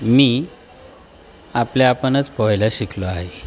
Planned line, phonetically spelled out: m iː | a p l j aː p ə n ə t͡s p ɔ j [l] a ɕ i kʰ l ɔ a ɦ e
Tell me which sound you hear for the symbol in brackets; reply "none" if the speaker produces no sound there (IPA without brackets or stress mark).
l